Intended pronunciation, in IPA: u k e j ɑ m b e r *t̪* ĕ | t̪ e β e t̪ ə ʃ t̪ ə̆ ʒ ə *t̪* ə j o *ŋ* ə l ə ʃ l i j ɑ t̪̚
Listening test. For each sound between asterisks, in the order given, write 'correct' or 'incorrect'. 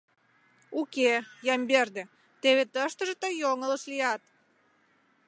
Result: incorrect: d̪, correct, correct

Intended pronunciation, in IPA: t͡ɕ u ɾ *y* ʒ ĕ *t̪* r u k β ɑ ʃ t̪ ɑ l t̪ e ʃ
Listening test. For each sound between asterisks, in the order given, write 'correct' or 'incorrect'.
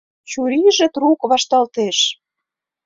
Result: incorrect: i, correct

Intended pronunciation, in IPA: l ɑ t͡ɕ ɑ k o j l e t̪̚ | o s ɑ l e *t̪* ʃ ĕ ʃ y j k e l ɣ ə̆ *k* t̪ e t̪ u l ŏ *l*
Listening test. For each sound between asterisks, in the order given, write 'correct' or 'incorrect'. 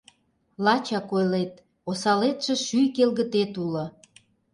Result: correct, incorrect: none, incorrect: none

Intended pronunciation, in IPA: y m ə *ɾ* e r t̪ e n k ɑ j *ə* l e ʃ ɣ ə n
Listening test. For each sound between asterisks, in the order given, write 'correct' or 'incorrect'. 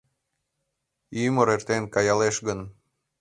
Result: correct, incorrect: ɑ

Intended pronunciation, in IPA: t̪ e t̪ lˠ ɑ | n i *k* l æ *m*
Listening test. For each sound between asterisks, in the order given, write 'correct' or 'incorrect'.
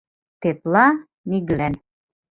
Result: incorrect: ɡ, incorrect: n

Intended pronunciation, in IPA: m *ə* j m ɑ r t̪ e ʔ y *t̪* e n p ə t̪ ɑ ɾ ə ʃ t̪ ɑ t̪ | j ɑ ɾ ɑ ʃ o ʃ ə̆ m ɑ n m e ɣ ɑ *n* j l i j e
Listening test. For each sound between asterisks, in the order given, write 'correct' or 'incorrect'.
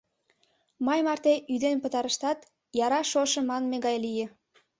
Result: incorrect: ɑ, incorrect: d̪, incorrect: none

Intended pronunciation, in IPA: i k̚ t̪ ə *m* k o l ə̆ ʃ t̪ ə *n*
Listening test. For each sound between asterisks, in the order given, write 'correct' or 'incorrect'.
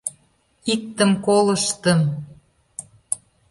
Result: correct, incorrect: m

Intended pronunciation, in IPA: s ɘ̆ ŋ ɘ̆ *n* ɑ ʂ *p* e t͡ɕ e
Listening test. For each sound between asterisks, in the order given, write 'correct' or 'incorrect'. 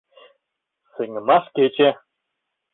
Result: incorrect: m, incorrect: k

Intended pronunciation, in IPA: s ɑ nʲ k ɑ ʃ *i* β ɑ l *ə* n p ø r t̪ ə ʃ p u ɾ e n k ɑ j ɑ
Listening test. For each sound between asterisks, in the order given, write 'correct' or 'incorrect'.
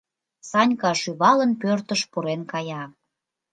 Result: incorrect: y, correct

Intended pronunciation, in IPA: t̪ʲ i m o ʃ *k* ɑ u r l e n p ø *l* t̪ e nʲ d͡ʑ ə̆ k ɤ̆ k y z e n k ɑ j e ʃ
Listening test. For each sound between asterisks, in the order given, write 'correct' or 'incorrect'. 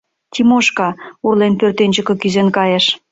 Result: correct, incorrect: r

